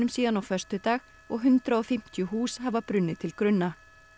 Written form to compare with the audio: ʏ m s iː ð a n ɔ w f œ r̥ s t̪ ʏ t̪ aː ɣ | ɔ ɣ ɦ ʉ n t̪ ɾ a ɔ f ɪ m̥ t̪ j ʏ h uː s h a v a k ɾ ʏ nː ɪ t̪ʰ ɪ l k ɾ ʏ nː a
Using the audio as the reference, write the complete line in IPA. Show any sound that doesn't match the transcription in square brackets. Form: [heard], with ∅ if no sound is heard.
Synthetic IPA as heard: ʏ m s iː ð a n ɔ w f œ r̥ s t̪ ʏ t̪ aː ɣ | ɔ ɣ ɦ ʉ n t̪ ɾ a ɔ f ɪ m̥ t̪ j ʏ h uː s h a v a [p] ɾ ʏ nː ɪ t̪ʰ ɪ l k ɾ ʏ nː a